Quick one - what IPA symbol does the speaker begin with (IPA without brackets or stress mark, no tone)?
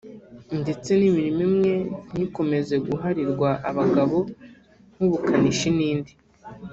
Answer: n